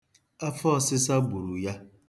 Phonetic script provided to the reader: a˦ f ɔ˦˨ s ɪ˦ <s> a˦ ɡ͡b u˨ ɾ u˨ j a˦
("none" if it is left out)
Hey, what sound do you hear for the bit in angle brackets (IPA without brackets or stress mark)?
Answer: s